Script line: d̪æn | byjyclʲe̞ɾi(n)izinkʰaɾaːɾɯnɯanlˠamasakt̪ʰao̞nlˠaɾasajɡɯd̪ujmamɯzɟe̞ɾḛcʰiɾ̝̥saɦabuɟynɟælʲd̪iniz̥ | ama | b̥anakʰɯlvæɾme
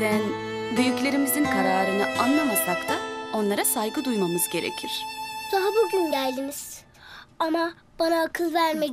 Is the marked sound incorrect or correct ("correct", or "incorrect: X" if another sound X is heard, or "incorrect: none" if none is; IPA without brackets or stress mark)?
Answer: incorrect: m